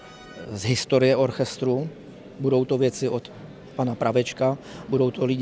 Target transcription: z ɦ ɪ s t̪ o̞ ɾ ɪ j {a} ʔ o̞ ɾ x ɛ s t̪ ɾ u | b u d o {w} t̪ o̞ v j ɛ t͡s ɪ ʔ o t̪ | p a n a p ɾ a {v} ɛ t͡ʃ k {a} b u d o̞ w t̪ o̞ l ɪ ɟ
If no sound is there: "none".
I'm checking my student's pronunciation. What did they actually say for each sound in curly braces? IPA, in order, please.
ɛ, w, v, a

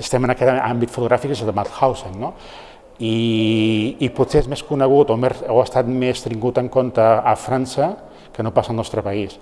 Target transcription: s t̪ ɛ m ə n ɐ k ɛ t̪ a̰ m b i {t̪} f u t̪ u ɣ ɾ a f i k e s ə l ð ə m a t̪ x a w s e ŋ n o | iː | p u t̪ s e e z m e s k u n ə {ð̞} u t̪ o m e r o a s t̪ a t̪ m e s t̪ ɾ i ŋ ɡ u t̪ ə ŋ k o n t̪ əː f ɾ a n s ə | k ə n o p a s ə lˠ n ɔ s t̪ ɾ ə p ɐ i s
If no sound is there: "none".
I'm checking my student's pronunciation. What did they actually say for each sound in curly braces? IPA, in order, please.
t̪, ɣ̞

